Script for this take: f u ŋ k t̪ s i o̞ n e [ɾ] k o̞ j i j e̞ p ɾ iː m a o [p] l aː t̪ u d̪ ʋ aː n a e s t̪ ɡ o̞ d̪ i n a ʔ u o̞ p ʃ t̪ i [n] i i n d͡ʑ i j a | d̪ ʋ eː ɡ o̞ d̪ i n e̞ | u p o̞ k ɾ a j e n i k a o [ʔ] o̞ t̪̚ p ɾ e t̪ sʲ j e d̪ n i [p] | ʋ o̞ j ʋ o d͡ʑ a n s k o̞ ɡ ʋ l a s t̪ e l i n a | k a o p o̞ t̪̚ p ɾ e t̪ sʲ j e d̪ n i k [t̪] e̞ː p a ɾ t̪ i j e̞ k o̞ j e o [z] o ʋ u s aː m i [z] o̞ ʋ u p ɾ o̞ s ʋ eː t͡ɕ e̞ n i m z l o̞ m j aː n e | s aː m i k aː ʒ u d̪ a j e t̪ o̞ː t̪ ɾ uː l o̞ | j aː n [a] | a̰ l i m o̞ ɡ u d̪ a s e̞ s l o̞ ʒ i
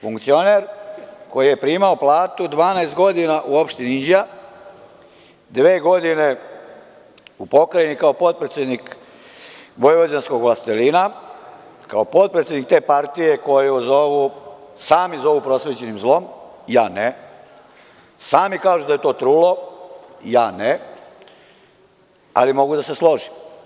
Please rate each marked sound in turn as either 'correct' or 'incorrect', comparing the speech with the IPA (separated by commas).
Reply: correct, correct, correct, incorrect, incorrect, correct, correct, correct, incorrect